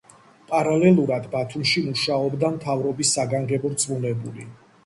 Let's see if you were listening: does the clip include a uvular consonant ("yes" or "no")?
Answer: no